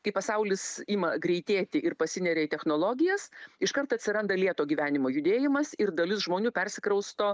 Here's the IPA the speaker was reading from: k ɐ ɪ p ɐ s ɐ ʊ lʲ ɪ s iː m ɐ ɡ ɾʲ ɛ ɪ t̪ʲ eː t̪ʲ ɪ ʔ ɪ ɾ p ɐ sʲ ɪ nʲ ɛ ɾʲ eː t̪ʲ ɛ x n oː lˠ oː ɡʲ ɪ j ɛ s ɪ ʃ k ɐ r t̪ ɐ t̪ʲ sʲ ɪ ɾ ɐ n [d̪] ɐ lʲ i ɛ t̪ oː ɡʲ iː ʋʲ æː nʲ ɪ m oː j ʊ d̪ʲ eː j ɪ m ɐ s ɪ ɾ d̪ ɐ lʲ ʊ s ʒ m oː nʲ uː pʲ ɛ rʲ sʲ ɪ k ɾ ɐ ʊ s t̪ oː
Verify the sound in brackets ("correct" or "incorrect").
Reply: correct